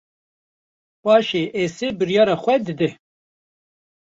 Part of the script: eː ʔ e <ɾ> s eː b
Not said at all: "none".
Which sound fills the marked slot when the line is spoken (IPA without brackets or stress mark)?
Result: none